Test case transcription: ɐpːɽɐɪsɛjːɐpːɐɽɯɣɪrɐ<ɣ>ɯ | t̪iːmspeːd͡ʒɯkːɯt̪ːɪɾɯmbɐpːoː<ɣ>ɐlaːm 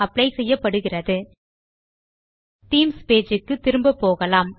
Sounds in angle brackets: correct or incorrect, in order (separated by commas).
incorrect, correct